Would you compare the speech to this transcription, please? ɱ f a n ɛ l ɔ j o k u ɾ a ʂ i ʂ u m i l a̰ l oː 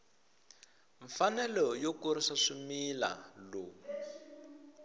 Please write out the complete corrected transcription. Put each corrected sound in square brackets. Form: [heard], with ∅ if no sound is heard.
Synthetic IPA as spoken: ɱ f a n ɛ l ɔ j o k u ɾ [i] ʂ [a] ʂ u m i l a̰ l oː